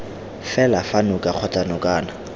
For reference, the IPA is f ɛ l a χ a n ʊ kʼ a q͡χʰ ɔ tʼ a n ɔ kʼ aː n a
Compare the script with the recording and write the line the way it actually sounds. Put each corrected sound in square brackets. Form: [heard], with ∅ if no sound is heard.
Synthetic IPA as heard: f ɛ l a [f] a n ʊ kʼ a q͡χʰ ɔ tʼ a n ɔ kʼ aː n a